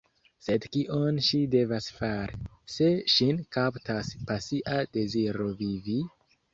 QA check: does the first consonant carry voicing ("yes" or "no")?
no